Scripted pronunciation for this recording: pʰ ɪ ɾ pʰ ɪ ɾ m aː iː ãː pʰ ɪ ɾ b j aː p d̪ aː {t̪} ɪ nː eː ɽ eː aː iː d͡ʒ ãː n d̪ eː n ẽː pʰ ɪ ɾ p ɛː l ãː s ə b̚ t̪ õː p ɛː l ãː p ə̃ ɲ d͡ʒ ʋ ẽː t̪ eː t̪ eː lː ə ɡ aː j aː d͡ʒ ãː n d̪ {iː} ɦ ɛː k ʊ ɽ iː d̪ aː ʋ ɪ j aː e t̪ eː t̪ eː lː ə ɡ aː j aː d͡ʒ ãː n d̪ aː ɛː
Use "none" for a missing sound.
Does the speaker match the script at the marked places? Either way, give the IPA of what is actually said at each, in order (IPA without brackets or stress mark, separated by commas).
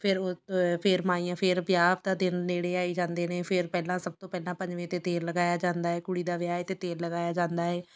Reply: d̪, aː